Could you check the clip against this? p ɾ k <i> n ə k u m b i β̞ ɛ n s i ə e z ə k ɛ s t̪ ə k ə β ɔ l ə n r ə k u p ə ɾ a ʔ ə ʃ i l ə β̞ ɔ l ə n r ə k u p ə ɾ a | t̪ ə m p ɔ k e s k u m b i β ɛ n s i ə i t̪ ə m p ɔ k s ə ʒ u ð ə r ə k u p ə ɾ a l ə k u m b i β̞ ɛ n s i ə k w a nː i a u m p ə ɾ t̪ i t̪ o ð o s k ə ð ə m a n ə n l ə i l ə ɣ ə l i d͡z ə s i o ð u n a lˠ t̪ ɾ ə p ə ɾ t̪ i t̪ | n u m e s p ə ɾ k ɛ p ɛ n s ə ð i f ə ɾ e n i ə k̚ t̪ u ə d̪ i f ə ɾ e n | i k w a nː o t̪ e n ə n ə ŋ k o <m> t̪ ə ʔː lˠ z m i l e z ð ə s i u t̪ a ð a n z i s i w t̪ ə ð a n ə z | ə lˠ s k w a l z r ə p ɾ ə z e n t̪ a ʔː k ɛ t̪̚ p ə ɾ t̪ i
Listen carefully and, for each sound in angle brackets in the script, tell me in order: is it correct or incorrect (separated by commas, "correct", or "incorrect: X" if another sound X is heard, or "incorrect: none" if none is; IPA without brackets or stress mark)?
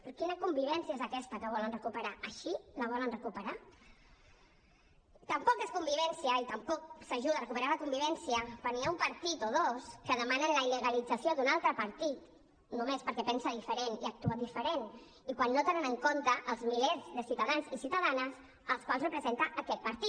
correct, incorrect: n